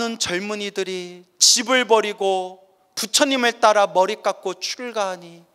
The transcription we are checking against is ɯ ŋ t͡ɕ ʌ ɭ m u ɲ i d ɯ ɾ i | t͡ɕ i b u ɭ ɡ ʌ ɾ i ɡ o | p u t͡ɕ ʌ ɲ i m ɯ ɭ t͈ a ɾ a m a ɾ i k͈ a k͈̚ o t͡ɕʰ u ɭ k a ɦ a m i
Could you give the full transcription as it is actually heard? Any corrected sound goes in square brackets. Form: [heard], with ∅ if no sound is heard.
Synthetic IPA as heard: ɯ [n] t͡ɕ ʌ ɭ m u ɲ i d ɯ ɾ i | t͡ɕ i b [ɯ] ɭ [b] ʌ ɾ i ɡ o | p u [t͡ɕʰ] ʌ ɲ i m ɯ ɭ t͈ a ɾ a m [ʌ] ɾ i k͈ a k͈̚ o t͡ɕʰ u ɭ [ɡ] a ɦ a [ɲ] i